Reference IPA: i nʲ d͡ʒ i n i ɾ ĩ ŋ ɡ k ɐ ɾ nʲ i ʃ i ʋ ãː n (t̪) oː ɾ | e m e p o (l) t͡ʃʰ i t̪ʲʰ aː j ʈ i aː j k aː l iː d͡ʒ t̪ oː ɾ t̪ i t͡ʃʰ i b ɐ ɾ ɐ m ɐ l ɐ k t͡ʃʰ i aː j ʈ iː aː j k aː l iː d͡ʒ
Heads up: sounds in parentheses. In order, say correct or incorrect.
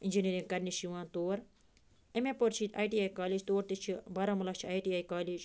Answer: correct, incorrect

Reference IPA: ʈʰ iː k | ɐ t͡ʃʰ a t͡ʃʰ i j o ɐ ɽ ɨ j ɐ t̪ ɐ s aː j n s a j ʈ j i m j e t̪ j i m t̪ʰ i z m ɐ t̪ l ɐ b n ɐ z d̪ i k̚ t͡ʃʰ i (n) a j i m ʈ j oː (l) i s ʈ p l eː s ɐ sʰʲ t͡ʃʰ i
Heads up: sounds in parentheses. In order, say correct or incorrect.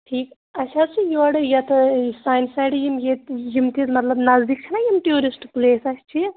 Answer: correct, incorrect

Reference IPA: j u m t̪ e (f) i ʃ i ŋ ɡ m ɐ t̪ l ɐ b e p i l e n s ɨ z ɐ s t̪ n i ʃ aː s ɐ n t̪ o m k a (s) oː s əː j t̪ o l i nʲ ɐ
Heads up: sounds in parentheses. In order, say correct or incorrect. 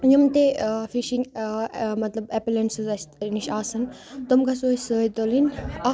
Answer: correct, correct

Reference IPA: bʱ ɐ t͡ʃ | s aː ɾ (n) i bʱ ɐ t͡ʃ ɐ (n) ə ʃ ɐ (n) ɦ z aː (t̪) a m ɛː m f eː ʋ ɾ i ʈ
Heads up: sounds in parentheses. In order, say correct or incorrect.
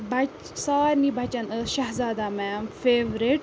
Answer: correct, correct, incorrect, incorrect

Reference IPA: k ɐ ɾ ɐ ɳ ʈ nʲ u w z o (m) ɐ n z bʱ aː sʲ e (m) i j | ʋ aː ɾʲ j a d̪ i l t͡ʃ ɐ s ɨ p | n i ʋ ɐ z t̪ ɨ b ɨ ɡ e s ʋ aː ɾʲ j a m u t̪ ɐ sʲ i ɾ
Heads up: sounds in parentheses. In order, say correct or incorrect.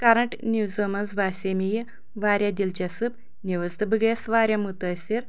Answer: correct, correct

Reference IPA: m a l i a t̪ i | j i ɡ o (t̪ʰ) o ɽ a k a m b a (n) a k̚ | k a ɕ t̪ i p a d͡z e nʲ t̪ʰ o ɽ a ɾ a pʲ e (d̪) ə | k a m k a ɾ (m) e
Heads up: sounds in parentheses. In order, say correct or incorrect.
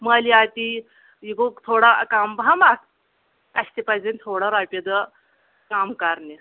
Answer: correct, incorrect, correct, incorrect

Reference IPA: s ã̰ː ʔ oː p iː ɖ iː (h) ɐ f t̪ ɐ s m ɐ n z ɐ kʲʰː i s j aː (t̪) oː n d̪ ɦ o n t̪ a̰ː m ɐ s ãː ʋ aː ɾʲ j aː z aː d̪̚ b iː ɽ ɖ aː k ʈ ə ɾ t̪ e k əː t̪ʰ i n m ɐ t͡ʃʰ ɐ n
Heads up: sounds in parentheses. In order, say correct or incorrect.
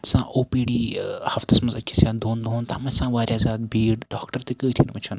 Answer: correct, incorrect

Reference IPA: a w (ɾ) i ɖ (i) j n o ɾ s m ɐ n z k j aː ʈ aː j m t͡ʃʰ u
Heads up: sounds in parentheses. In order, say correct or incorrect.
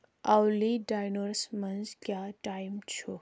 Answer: incorrect, incorrect

